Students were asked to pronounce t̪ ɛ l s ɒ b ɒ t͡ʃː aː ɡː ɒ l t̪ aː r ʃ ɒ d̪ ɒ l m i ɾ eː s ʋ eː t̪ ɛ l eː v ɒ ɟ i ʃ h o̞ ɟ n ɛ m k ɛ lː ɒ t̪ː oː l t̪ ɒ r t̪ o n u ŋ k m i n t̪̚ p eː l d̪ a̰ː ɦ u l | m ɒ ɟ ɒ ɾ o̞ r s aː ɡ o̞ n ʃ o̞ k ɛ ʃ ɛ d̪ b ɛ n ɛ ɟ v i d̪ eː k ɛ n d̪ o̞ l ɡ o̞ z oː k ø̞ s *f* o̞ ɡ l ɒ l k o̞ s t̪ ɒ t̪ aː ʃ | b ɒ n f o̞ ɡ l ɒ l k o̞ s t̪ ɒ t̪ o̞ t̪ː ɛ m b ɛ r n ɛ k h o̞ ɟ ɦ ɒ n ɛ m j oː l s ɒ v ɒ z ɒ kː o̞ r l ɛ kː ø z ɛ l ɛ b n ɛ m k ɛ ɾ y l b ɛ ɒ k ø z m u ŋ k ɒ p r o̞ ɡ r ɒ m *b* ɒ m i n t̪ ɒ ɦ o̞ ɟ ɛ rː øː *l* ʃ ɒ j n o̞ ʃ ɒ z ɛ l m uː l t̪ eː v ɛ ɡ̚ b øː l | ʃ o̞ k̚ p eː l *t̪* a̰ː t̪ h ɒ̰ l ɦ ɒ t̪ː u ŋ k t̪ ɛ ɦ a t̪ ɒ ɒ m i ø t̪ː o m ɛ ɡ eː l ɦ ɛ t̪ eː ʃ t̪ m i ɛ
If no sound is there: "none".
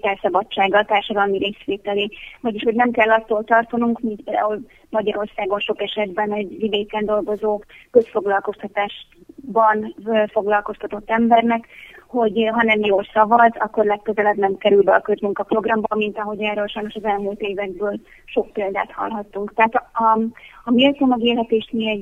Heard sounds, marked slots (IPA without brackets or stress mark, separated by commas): f, b, l, d̪